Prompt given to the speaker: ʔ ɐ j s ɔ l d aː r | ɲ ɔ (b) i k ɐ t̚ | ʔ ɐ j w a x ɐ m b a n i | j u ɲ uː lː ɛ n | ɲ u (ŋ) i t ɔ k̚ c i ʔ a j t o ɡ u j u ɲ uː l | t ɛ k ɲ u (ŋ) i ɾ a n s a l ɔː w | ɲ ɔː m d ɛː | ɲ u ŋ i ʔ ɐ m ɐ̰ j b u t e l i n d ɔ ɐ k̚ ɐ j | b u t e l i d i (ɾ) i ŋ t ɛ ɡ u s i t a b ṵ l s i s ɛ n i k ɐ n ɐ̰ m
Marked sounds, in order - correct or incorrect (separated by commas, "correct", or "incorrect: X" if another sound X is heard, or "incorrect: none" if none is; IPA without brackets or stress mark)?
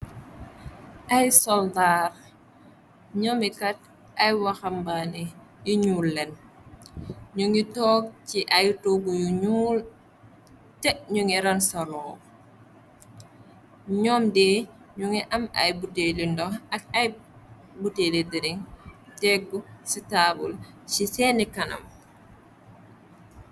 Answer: incorrect: m, correct, correct, correct